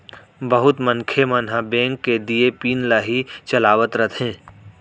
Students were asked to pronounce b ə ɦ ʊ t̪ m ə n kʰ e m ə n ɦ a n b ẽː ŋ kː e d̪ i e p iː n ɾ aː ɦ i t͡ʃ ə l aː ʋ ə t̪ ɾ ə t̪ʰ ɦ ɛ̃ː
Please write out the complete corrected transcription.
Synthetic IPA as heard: b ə ɦ ʊ t̪ m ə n kʰ e m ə n ɦ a b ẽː ŋ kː e d̪ i e p iː n l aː ɦ i t͡ʃ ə l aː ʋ ə t̪ ɾ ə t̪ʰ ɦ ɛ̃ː

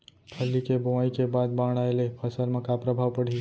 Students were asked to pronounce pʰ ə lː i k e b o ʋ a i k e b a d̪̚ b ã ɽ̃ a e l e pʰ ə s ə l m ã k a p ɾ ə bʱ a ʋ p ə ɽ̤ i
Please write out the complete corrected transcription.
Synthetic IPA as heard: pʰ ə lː i k e b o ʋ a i k e b a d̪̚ b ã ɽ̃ a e l e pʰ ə s ə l m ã k a p ɾ ə bʱ a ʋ p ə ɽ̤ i

